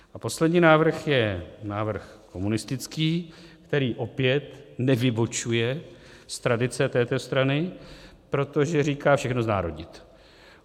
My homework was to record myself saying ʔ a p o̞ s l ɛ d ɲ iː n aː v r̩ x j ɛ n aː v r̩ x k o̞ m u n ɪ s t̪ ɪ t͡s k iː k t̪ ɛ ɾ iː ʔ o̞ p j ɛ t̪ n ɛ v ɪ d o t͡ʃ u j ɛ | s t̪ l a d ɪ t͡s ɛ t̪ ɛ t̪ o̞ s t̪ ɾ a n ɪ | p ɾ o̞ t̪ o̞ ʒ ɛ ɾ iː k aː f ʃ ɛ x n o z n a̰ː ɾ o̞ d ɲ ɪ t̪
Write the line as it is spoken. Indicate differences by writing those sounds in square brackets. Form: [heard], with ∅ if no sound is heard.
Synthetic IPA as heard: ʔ a p o̞ s l ɛ d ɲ iː n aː v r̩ x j ɛ n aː v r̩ x k o̞ m u n ɪ s t̪ ɪ t͡s k iː k t̪ ɛ ɾ iː ʔ o̞ p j ɛ t̪ n ɛ v ɪ [b] o t͡ʃ u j ɛ | s t̪ [ɾ] a d ɪ t͡s ɛ t̪ [ɛː] t̪ o̞ s t̪ ɾ a n ɪ | p ɾ o̞ t̪ o̞ ʒ ɛ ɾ iː k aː f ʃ ɛ x n o z n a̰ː ɾ o̞ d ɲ ɪ t̪